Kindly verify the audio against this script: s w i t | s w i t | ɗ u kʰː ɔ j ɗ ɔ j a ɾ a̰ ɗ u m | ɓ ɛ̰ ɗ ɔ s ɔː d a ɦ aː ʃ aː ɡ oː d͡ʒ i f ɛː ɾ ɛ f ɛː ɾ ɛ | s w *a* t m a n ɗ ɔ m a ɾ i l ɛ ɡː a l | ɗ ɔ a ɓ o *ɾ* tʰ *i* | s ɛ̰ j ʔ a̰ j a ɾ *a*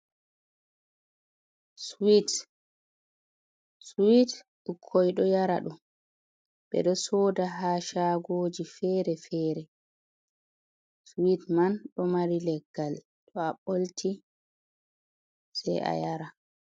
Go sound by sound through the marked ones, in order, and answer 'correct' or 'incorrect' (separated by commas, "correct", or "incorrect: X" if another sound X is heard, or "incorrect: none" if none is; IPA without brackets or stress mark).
incorrect: i, incorrect: l, correct, correct